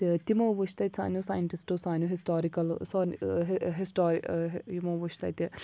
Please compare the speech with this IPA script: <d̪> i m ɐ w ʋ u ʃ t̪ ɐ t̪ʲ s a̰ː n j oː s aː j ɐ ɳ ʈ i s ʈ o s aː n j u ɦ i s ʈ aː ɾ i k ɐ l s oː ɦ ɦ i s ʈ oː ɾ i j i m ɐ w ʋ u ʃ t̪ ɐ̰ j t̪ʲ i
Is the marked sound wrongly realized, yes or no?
yes